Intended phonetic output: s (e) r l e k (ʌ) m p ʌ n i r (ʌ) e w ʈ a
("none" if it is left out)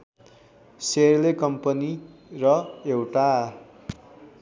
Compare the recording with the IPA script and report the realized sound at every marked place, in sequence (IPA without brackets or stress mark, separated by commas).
e, ʌ, ʌ